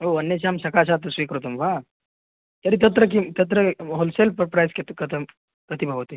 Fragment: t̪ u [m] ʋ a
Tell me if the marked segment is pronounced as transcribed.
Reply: yes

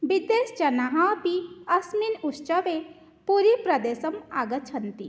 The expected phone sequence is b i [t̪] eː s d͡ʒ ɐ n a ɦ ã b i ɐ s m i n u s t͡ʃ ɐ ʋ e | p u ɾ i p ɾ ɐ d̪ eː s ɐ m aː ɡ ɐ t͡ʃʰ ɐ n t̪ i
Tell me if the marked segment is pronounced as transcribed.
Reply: no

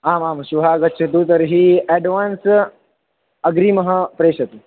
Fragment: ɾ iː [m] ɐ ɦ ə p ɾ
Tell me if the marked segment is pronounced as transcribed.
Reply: yes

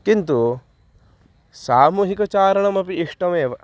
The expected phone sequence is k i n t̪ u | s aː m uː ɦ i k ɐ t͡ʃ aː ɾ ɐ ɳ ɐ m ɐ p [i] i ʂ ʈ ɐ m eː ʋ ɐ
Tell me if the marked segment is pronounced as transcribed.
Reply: yes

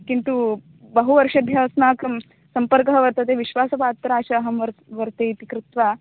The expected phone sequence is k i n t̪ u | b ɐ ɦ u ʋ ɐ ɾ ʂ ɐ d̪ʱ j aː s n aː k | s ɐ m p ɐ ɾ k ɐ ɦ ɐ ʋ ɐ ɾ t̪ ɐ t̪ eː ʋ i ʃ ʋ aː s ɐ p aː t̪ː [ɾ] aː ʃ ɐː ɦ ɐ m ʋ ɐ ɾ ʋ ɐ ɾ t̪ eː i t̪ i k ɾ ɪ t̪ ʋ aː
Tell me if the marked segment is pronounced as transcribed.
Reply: yes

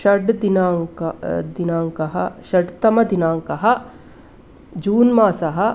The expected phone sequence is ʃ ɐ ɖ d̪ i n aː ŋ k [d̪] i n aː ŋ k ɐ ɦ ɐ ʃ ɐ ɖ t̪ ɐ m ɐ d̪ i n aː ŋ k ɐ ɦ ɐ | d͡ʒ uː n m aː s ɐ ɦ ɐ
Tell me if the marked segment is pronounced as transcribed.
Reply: yes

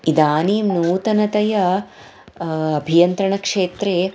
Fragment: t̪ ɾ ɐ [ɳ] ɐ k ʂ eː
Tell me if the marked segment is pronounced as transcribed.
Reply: yes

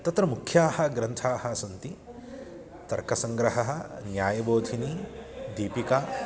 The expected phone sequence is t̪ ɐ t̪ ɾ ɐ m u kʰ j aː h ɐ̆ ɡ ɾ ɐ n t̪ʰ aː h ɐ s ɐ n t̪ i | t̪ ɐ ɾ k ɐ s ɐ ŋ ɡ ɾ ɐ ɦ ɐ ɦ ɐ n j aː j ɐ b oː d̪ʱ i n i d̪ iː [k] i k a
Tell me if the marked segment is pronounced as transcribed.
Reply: no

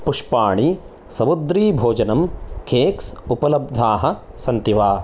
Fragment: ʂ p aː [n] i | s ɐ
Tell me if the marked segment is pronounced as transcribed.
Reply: no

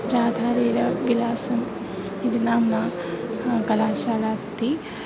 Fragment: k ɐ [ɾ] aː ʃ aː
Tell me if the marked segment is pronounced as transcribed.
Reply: no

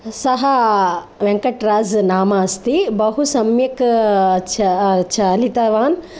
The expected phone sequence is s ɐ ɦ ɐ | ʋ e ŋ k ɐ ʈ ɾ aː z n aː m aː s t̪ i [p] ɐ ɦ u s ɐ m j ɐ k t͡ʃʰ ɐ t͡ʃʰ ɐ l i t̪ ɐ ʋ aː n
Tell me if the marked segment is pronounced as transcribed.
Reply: no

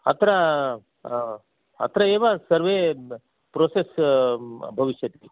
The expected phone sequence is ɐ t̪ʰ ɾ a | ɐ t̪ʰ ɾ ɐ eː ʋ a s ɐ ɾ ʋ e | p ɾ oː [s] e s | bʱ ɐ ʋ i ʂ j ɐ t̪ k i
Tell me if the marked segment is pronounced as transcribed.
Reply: yes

